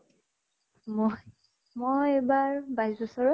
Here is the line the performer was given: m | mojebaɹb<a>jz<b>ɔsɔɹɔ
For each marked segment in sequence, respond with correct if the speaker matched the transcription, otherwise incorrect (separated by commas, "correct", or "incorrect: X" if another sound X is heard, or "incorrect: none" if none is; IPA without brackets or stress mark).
correct, correct